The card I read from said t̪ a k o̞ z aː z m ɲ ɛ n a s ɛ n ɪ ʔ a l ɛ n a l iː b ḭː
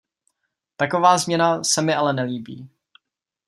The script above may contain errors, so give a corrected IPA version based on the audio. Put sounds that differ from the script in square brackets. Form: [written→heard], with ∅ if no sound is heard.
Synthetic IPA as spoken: t̪ a k o̞ [z→v] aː z m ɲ ɛ n a s ɛ [n→m] ɪ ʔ a l ɛ n [a→ɛ] l iː b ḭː